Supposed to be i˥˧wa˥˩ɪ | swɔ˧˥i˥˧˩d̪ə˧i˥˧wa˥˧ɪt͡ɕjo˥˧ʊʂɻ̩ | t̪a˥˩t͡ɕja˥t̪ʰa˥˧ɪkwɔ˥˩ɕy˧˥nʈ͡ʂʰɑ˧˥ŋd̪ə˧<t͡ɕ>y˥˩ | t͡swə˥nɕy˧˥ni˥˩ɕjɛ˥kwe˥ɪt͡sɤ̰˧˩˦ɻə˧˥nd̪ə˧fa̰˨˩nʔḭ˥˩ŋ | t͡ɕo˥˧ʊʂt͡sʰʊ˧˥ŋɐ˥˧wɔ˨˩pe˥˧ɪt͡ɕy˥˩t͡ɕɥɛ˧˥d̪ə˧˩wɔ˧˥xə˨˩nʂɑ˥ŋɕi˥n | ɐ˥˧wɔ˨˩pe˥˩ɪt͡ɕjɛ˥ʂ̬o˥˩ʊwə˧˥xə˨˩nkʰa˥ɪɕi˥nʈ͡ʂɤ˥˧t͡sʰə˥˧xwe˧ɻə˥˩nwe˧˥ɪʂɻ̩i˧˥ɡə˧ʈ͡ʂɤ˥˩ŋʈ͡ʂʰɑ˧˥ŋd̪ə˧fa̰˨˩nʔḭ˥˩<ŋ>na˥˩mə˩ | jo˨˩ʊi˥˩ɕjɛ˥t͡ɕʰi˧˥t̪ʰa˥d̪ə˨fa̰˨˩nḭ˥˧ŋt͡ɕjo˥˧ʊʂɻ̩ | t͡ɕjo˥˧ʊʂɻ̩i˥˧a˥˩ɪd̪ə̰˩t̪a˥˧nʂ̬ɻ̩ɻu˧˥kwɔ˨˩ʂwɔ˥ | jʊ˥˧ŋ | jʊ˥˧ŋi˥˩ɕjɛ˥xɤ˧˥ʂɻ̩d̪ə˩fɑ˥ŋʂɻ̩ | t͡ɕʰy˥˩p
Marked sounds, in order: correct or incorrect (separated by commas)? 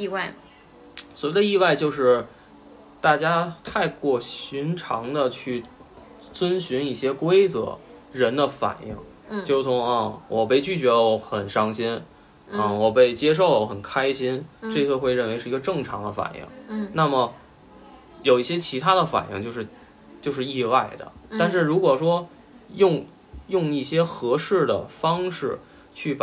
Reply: incorrect, correct